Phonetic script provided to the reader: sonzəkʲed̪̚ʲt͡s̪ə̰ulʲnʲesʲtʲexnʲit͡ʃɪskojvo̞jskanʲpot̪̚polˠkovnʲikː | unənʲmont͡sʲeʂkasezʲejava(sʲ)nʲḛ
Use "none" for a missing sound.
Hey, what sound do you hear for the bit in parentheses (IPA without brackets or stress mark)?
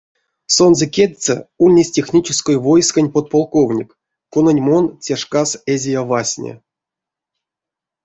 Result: sʲ